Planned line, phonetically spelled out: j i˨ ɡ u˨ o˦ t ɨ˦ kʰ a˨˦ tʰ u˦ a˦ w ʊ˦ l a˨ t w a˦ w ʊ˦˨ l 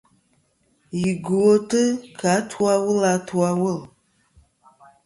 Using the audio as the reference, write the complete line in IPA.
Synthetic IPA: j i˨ ɡ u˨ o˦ t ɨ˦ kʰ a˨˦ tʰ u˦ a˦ w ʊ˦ l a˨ t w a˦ w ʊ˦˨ l